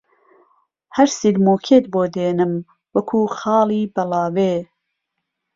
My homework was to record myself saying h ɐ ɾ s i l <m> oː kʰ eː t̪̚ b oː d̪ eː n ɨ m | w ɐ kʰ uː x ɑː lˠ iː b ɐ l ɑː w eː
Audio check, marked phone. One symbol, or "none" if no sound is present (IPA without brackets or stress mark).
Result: m